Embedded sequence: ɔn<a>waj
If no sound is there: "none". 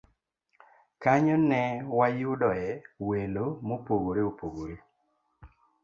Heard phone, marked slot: ɛ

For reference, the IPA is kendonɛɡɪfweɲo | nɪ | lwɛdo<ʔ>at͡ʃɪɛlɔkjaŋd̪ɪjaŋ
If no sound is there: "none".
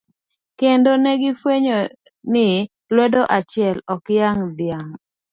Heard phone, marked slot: ʔ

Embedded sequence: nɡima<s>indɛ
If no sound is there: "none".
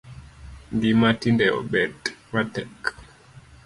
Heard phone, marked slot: t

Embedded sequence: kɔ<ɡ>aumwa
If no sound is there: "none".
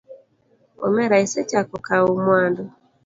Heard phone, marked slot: k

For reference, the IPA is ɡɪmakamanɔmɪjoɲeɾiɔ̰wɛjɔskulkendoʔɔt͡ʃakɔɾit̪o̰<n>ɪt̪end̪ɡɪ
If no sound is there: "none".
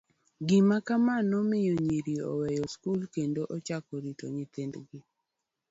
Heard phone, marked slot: ɲ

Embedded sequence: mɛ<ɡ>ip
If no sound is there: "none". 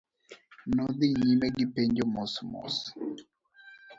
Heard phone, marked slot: ɡ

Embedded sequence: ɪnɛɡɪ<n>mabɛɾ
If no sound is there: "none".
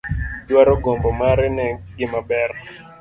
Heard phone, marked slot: none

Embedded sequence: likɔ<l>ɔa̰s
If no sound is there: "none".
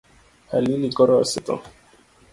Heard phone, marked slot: ɾ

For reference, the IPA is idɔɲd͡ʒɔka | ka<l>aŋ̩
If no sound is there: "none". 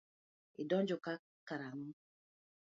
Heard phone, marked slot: ɾ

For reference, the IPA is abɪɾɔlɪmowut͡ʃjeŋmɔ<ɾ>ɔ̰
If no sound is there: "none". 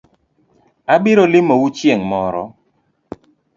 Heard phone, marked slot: ɾ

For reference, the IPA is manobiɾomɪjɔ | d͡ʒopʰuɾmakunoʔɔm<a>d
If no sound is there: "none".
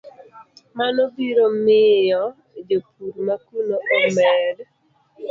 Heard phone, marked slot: ɛ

